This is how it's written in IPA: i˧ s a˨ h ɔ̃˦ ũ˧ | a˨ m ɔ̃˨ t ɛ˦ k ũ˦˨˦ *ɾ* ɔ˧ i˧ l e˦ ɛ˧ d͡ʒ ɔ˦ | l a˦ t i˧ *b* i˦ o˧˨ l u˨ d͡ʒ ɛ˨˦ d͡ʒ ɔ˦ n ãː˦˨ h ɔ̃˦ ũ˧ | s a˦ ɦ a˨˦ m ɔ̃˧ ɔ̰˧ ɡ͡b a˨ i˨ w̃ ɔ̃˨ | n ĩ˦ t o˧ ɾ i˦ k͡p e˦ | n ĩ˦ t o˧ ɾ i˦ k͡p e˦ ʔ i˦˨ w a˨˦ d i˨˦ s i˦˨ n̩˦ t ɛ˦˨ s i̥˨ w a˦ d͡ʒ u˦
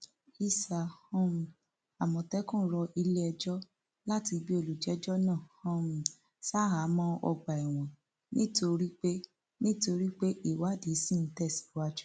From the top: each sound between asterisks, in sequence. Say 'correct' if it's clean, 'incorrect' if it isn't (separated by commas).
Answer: correct, correct